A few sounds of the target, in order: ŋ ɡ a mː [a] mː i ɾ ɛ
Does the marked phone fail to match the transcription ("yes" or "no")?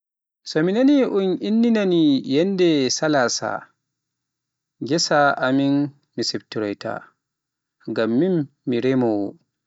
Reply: yes